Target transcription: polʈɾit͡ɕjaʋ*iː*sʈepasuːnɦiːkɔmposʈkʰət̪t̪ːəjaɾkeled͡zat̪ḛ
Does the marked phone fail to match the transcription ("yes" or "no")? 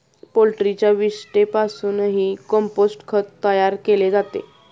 yes